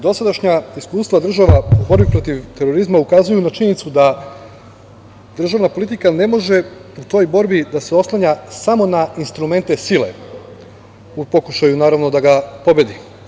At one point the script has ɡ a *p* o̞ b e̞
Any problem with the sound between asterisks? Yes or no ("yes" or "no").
no